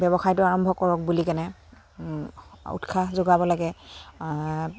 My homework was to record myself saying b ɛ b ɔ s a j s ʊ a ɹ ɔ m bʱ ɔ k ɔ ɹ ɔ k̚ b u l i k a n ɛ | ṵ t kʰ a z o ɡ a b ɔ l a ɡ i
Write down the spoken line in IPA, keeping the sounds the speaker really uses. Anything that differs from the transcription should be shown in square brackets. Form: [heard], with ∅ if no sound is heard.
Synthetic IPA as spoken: b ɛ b ɔ [x] a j [t] ʊ a ɹ ɔ m bʱ ɔ k ɔ ɹ ɔ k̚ b u l i k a n ɛ | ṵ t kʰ a z o ɡ a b ɔ l a ɡ [ɛ]